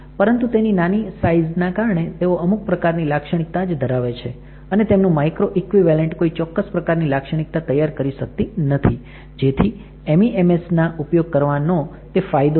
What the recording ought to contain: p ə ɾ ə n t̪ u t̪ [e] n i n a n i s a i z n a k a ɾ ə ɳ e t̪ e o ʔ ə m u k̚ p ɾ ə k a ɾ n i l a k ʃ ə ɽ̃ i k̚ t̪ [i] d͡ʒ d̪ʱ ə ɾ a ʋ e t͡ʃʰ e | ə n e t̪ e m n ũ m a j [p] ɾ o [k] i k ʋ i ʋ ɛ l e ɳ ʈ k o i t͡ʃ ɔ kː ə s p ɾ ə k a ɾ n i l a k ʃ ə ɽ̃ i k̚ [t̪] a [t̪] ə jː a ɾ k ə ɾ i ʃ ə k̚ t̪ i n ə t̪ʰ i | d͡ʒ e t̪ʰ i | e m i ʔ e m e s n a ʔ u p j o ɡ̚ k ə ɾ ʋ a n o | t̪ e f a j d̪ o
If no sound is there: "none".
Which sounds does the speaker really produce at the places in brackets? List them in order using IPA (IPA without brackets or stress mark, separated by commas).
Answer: e, a, k, ʔ, t̪, t̪